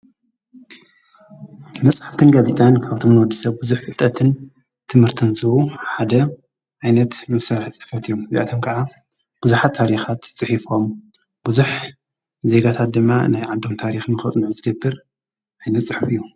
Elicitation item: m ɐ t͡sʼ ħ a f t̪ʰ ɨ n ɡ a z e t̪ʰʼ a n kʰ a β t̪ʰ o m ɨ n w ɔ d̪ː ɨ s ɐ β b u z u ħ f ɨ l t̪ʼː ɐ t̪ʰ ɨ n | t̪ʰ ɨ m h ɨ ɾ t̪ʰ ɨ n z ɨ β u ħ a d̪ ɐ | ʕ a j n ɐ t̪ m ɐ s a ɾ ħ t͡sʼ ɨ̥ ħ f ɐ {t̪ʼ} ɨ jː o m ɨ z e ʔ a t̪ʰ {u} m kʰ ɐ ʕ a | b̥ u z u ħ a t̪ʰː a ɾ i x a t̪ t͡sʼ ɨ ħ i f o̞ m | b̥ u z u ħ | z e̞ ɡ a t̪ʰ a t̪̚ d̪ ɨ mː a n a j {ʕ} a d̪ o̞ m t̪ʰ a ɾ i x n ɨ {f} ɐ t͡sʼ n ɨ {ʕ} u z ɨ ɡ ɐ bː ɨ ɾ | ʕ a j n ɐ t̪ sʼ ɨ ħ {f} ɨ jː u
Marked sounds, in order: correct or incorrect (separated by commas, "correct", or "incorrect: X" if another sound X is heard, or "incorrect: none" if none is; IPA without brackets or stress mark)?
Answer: incorrect: t̪, incorrect: o, correct, incorrect: x, correct, correct